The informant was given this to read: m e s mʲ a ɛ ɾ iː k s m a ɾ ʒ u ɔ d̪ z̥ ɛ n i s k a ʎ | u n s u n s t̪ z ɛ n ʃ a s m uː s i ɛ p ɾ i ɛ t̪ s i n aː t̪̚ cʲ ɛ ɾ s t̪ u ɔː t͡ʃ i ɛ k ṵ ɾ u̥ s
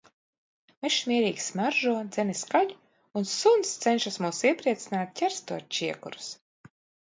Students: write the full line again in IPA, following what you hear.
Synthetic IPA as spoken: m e ʃ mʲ i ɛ ɾ iː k s m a ɾ ʒ u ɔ d̪ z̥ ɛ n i s k a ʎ | u n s u n s t̪ s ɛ n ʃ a s m uː s i ɛ p ɾ i ɛ t̪ s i n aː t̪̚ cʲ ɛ ɾ s t̪ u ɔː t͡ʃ i ɛ k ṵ ɾ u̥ s